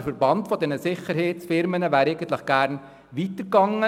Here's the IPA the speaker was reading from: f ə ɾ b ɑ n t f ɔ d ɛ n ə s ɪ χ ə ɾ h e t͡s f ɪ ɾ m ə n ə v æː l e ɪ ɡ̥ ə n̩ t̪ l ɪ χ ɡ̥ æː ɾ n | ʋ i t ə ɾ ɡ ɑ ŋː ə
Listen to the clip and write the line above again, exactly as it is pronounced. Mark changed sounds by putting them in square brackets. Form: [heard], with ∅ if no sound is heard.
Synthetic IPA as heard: f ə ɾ b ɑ n t f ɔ d ɛ n ə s ɪ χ ə ɾ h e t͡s f ɪ ɾ m ə n ə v æː [ɾ] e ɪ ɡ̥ ə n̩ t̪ l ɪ χ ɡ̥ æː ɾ n | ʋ i t ə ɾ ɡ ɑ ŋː ə